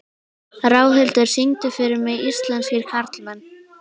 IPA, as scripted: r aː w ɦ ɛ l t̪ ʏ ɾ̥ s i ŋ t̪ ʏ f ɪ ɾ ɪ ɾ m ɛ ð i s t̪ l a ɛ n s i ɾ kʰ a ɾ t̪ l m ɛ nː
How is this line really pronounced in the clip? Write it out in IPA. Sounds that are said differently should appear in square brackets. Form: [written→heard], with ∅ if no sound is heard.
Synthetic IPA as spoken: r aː w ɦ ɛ l t̪ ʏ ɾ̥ s i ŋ t̪ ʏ f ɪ ɾ ɪ ɾ m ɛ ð i s t̪ l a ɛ n s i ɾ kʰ a ɾ t̪ l m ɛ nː